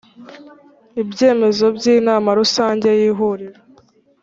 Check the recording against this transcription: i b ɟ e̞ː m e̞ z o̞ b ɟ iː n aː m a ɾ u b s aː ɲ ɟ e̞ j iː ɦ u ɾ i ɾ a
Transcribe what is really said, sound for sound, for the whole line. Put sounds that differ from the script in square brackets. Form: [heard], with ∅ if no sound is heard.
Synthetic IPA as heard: i b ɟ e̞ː m e̞ z o̞ b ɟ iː n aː m a ɾ u [∅] s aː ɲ ɟ e̞ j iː ɦ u ɾ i ɾ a